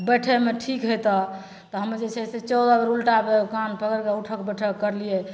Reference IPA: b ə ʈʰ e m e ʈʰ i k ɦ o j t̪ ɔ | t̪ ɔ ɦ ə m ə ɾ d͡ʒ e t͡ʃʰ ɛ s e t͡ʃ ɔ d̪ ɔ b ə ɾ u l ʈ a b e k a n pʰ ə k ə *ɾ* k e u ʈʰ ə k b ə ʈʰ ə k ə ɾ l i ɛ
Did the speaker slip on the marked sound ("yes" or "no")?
no